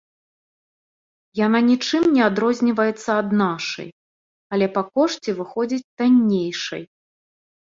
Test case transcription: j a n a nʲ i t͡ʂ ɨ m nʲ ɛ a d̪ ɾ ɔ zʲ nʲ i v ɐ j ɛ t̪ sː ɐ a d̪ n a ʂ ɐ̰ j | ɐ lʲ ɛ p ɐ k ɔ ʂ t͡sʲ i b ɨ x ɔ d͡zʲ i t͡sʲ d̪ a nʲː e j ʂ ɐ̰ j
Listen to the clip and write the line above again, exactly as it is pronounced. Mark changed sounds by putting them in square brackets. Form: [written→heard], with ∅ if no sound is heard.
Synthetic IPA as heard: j a n a nʲ i t͡ʂ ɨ m nʲ ɛ a d̪ ɾ ɔ zʲ nʲ i v ɐ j ɛ t̪ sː ɐ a d̪ n a ʂ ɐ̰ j | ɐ lʲ ɛ p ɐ k ɔ ʂ t͡sʲ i [b→v] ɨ x ɔ d͡zʲ i t͡sʲ [d̪→t̪] a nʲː e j ʂ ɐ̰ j